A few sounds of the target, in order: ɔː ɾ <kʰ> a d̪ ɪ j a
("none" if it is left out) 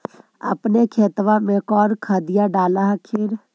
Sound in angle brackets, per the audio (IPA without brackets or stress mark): kʰ